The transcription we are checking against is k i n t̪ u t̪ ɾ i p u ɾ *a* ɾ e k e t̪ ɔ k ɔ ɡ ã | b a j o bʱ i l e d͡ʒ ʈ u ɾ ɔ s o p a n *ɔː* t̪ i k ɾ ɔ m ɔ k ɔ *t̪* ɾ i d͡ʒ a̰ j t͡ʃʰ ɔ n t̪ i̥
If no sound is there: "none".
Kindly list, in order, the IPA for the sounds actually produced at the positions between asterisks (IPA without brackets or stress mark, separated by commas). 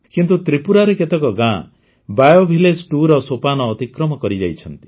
a, ɔː, none